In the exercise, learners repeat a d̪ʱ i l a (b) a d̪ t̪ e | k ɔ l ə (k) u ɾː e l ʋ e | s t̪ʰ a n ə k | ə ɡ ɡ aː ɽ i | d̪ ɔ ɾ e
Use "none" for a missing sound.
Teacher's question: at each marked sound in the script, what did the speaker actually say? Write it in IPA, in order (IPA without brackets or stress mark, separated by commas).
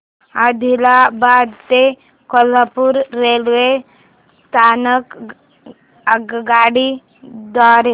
b, p